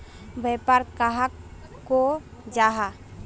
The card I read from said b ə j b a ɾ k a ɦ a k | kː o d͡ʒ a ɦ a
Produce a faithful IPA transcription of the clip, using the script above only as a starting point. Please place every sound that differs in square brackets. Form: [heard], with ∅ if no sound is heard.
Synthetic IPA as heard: b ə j [p] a ɾ k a ɦ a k | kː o d͡ʒ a ɦ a